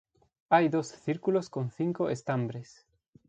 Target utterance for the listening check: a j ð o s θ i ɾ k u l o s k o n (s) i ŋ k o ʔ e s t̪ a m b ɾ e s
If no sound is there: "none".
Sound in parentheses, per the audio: θ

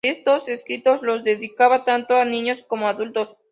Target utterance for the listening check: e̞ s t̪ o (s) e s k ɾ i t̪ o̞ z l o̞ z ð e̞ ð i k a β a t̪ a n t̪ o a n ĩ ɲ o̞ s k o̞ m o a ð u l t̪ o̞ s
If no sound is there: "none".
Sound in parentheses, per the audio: s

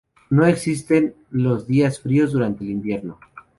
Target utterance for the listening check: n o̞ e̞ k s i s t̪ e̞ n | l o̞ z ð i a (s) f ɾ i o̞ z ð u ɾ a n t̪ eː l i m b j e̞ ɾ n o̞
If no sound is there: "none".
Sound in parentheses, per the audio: s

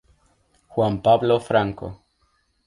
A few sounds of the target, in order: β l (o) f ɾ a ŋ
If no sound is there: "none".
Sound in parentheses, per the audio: o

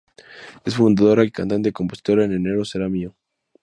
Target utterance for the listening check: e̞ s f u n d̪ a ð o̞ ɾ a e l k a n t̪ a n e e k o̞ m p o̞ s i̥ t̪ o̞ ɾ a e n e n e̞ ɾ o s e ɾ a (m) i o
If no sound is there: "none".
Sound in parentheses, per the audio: m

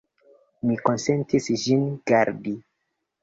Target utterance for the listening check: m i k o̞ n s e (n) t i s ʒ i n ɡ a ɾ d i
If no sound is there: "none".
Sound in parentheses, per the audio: n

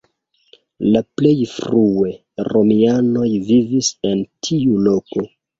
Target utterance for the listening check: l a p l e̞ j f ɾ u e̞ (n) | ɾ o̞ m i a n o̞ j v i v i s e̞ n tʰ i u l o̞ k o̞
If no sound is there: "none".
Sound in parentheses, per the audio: none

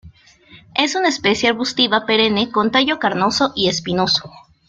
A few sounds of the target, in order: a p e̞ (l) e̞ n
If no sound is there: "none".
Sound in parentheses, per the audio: ɾ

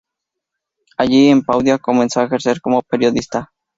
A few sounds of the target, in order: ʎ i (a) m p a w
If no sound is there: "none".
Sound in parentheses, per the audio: e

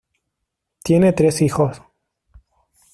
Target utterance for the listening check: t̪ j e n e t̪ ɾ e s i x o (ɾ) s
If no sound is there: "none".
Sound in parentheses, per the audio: none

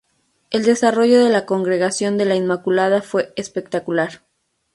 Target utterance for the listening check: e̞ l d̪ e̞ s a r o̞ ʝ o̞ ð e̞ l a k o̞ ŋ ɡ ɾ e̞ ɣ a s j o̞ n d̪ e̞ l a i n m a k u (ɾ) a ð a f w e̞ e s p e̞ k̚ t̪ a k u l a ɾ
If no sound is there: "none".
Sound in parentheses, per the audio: l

